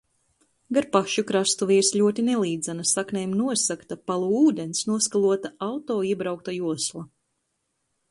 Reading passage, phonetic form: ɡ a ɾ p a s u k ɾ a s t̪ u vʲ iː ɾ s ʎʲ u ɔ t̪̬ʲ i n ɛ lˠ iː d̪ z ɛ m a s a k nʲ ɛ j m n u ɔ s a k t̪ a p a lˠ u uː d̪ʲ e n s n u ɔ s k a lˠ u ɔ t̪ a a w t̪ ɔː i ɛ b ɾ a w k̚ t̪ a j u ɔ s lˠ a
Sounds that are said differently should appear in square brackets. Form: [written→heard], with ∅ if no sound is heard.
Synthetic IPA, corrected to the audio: ɡ a ɾ p a [s→ʃ] u k ɾ a s t̪ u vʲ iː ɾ s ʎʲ u ɔ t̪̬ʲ i n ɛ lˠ iː d̪ z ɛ [m→n] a s a k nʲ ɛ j m n u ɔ s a k t̪ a p a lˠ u uː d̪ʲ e n s n u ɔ s k a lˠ u ɔ t̪ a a w t̪ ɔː i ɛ b ɾ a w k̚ t̪ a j u ɔ s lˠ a